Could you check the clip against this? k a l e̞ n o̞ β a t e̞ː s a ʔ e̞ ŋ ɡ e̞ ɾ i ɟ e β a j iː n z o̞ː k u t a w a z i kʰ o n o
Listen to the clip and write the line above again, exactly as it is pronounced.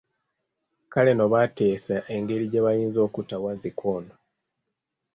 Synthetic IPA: k a l e̞ n o̞ β a t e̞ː s a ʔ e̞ ŋ ɡ e̞ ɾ i ɟ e β a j iː n z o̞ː k u t a w a z i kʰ o n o